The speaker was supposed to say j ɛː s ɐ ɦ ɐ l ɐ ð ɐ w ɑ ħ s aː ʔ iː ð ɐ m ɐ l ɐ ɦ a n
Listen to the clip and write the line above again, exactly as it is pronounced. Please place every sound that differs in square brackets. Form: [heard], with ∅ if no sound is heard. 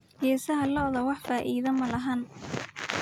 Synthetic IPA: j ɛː s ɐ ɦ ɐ l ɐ ð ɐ w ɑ ħ [f] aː ʔ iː ð ɐ m ɐ l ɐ ɦ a n